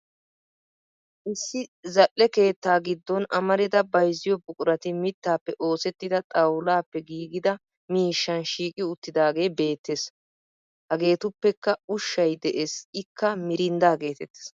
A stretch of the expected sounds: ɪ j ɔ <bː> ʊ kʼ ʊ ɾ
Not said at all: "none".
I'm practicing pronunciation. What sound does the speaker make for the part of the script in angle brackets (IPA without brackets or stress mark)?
b